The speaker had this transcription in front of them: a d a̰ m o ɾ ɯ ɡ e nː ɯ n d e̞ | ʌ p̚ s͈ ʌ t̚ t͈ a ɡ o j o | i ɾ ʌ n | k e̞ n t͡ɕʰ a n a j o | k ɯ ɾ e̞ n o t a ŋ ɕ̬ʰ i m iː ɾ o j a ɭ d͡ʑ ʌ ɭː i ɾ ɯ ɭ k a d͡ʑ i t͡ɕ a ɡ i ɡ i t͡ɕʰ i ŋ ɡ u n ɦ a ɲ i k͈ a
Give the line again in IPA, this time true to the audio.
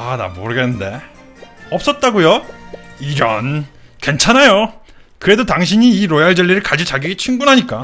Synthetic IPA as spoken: a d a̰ m o ɾ ɯ ɡ e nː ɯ n d e̞ | ʌ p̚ s͈ ʌ t̚ t͈ a ɡ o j o | i ɾ ʌ n | k e̞ n t͡ɕʰ a n a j o | k ɯ ɾ e̞ d o t a ŋ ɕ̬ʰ i ɲ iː ɾ o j a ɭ d͡ʑ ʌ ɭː i ɾ ɯ ɭ k a d͡ʑ i t͡ɕ a ɡ i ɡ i t͡ɕʰ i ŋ ɡ u n ɦ a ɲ i k͈ a